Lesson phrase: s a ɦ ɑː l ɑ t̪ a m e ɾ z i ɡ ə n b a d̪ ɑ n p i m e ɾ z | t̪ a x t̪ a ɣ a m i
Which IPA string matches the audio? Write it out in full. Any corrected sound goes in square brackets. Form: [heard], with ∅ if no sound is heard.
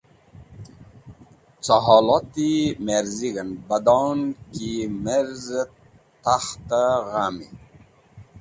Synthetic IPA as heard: [t͡s] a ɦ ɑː l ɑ t̪ [i] m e ɾ z i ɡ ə n b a d̪ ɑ n [k] i m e ɾ z | t̪ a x t̪ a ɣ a m i